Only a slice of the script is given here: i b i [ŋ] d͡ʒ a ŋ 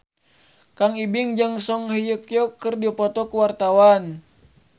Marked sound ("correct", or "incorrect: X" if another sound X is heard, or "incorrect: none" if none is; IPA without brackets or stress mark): correct